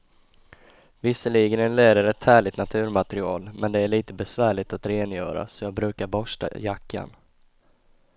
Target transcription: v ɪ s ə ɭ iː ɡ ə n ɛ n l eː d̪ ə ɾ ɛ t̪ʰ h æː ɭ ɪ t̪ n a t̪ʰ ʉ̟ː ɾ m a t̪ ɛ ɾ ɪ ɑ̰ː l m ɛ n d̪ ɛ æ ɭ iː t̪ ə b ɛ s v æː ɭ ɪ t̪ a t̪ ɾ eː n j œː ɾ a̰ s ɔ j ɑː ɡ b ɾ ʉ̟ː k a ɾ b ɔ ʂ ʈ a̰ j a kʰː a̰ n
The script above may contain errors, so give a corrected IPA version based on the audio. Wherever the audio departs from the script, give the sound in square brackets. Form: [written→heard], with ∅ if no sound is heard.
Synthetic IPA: v ɪ s ə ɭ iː ɡ ə n ɛ n l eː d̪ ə ɾ ɛ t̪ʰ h æː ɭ ɪ t̪ n a t̪ʰ ʉ̟ː ɾ m a t̪ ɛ ɾ ɪ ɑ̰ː l m ɛ n d̪ ɛ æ ɭ iː t̪ ə b ɛ s v æː ɭ ɪ t̪ a t̪ ɾ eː n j œː ɾ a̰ s ɔ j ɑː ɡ b ɾ ʉ̟ː k a ɾ b ɔ ʂ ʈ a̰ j a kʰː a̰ n